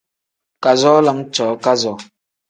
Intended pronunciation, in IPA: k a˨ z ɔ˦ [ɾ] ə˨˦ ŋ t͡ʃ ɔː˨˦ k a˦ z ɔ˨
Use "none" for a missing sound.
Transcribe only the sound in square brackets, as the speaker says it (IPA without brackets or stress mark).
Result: l